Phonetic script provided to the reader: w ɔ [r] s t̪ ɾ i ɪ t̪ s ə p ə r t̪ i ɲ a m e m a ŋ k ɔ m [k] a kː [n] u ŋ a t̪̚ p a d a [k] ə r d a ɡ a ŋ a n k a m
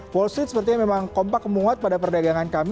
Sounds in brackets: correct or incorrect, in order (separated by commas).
incorrect, incorrect, incorrect, incorrect